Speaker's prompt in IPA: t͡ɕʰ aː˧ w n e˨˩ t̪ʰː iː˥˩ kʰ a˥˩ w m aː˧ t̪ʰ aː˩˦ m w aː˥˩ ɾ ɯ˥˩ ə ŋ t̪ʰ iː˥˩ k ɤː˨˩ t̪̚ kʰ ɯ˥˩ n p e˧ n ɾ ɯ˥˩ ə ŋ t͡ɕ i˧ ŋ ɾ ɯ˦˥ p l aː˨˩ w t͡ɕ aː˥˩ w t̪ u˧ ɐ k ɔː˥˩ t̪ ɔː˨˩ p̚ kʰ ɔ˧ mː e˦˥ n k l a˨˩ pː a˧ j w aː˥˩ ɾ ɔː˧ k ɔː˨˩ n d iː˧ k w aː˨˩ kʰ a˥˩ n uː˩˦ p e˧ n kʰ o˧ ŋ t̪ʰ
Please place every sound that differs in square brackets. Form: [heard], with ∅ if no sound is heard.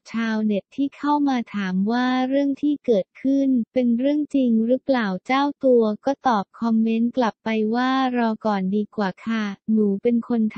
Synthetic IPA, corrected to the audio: t͡ɕʰ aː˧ w n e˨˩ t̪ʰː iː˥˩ kʰ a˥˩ w m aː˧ t̪ʰ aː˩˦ m w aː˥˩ ɾ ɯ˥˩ ə ŋ t̪ʰ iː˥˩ k ɤː˨˩ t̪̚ kʰ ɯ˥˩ n p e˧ n ɾ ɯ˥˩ ə ŋ t͡ɕ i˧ ŋ ɾ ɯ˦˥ p l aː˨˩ w t͡ɕ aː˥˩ w t̪ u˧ ɐ k ɔː˥˩ t̪ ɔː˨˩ p̚ kʰ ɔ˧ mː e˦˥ n k l a˨˩ pː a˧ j w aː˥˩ ɾ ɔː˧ k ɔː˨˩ n d iː˧ k w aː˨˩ kʰ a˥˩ n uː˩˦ p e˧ n kʰ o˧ [n] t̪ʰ